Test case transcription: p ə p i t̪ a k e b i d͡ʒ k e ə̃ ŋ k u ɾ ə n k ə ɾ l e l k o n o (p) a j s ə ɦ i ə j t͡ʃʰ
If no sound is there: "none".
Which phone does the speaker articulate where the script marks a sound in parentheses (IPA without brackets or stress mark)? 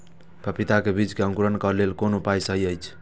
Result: p